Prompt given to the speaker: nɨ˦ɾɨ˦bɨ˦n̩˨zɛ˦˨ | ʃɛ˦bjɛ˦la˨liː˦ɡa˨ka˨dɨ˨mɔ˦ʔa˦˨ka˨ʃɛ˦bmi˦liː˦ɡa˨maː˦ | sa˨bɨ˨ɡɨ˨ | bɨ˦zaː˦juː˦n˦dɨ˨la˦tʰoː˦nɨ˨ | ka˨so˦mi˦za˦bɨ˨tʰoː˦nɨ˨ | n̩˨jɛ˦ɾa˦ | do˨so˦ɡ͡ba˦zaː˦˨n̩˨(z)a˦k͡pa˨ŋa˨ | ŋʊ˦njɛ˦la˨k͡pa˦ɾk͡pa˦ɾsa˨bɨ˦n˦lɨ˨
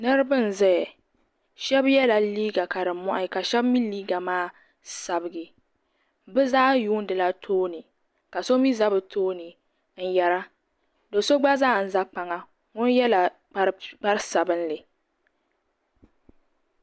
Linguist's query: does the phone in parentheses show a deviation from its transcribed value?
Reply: no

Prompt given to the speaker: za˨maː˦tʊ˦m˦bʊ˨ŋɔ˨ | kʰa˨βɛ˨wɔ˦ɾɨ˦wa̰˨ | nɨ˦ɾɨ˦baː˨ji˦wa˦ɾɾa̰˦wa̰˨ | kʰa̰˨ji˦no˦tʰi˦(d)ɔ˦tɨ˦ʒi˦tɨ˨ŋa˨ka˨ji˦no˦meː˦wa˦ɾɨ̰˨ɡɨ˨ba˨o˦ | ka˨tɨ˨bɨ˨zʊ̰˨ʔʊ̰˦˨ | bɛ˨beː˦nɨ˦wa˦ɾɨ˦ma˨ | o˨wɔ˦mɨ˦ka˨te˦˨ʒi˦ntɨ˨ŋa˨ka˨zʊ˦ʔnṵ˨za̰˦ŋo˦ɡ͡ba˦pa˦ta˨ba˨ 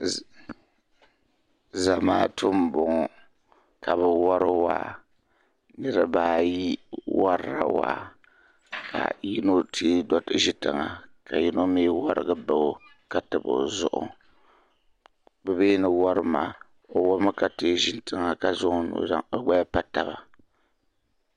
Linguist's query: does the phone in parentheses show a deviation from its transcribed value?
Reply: no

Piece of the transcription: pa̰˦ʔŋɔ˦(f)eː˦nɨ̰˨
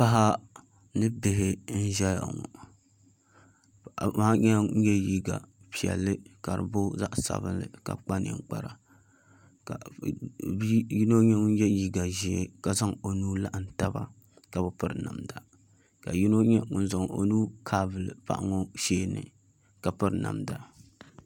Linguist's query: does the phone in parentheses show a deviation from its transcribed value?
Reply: yes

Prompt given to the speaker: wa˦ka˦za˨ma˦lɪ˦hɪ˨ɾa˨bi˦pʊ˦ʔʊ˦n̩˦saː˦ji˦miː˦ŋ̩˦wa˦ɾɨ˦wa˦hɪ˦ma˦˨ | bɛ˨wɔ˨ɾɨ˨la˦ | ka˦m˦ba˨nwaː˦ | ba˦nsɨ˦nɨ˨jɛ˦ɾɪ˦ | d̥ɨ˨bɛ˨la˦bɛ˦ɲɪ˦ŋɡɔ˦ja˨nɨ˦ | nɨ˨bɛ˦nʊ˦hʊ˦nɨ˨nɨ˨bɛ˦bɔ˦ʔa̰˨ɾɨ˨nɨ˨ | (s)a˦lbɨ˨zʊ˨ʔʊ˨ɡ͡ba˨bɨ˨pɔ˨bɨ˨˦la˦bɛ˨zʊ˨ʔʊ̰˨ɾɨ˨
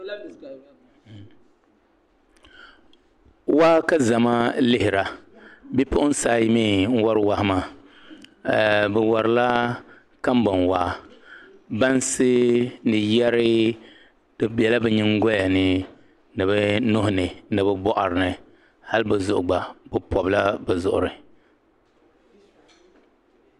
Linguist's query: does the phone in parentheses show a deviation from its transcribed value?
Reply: yes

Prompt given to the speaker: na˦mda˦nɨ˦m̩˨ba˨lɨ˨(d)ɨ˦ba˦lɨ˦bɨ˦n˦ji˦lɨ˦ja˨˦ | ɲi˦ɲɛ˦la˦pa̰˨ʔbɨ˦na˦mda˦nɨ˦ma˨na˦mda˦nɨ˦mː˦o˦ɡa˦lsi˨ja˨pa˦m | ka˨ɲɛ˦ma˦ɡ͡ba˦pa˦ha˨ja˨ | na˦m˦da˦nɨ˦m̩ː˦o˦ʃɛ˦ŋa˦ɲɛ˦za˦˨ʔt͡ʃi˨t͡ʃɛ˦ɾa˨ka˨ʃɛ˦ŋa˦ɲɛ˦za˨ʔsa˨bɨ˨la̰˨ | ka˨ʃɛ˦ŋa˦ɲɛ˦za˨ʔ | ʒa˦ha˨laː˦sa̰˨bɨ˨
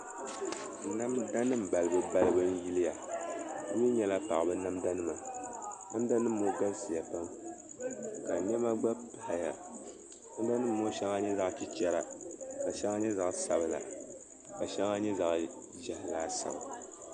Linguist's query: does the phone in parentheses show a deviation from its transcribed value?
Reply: yes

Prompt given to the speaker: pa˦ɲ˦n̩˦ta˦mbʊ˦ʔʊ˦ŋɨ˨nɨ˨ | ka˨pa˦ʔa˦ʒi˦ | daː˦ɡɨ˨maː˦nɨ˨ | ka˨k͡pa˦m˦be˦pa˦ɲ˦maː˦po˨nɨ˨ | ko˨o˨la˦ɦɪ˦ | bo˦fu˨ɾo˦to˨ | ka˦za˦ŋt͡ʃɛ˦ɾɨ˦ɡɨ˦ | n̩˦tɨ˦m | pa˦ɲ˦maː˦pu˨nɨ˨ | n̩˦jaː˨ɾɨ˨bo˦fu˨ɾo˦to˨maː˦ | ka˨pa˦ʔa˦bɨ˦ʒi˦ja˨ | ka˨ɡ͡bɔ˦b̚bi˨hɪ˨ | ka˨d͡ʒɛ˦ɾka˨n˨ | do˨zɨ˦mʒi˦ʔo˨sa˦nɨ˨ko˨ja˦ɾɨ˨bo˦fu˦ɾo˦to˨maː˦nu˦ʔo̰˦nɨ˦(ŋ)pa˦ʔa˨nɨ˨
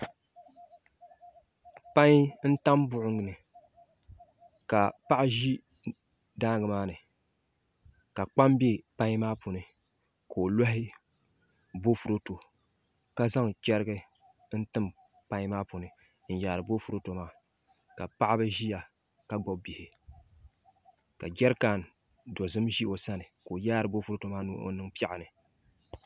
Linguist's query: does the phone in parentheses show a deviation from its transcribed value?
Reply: no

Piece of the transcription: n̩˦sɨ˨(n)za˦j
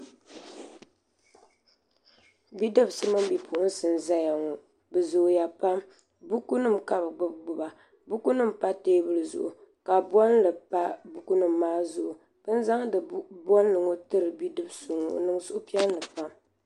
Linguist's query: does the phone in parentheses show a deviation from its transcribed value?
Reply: no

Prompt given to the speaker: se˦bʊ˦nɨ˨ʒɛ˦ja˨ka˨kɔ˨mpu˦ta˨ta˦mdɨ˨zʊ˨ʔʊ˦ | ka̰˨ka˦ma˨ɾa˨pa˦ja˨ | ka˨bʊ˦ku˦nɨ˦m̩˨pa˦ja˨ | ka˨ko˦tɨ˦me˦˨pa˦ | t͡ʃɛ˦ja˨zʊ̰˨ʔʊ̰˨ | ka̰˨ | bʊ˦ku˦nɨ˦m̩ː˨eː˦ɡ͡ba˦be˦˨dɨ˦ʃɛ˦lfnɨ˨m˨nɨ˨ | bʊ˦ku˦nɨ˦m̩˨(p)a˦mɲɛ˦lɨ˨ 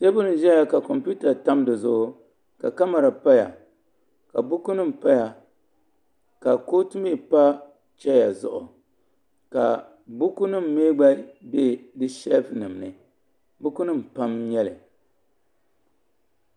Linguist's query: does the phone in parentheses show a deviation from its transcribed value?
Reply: no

